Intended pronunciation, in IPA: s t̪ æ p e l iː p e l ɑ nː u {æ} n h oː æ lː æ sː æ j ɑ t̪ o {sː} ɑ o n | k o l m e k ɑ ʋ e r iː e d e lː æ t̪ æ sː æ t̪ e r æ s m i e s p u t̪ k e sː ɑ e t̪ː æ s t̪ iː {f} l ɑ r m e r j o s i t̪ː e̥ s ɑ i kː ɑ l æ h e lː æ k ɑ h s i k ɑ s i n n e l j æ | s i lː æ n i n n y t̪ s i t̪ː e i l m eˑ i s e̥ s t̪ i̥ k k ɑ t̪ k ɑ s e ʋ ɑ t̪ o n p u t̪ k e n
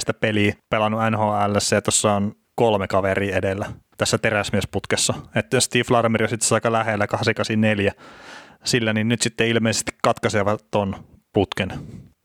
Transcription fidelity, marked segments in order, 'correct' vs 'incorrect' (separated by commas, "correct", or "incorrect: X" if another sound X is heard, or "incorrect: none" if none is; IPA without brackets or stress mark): correct, correct, correct